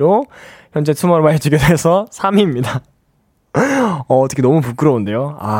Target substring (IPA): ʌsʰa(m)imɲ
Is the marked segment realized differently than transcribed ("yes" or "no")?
no